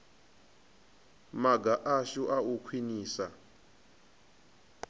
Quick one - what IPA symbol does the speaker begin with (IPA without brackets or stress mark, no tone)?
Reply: m